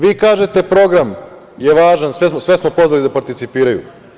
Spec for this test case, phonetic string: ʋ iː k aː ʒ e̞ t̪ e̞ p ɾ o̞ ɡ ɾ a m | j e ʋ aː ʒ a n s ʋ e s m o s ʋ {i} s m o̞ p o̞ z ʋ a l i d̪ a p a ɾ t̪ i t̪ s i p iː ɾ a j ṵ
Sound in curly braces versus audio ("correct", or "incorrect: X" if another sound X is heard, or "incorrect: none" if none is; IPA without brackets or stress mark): incorrect: e